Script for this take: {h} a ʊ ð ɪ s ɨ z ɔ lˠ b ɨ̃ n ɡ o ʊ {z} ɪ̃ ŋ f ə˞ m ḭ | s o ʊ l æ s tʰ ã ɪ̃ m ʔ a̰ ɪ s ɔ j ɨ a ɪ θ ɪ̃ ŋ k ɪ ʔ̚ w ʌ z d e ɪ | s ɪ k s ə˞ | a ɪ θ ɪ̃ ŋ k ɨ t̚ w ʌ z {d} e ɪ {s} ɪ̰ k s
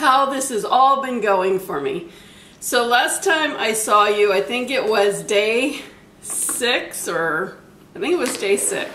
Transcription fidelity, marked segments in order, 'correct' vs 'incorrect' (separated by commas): correct, incorrect, correct, correct